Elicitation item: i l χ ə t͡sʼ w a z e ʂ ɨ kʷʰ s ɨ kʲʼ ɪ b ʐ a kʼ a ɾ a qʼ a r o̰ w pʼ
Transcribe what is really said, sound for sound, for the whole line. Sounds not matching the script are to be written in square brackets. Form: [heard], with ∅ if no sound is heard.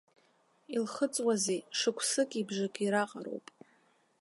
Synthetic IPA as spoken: i l χ ə t͡sʼ w a z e ʂ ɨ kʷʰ s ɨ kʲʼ [i] b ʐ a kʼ [i] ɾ a qʼ a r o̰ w pʼ